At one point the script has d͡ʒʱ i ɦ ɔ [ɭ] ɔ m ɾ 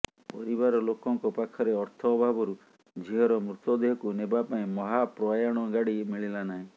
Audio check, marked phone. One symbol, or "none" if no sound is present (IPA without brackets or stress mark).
ɾ